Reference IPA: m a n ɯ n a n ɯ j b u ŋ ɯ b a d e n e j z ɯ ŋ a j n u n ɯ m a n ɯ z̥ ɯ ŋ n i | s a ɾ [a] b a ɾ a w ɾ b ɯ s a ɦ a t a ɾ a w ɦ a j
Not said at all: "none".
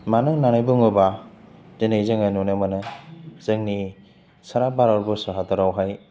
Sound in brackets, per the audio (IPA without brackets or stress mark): a